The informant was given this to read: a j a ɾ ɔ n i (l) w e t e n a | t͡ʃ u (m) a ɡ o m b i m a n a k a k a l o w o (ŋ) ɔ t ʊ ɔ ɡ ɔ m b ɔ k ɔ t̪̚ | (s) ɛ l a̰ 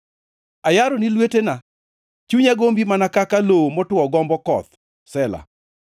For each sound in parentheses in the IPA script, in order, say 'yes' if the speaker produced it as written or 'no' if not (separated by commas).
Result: yes, no, no, yes